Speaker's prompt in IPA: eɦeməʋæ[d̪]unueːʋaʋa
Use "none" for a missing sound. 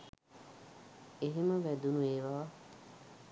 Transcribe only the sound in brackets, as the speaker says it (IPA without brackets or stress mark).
d̪